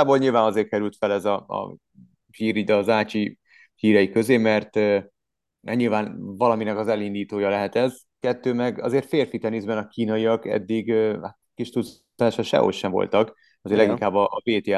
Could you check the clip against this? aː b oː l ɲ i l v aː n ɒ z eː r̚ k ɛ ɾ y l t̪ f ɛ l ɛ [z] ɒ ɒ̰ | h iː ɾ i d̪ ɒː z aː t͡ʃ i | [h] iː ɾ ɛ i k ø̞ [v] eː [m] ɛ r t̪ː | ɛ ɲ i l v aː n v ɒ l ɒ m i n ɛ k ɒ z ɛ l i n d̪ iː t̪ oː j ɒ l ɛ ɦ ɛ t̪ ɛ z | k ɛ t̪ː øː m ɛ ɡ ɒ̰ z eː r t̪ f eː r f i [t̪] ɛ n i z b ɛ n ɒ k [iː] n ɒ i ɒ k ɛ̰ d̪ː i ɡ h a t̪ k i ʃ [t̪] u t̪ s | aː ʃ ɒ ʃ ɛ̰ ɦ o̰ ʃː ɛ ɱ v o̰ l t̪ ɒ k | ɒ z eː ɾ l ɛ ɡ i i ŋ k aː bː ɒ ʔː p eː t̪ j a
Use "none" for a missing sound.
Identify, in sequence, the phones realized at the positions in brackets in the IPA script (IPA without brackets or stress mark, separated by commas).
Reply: z, h, z, m, t̪, iː, t̪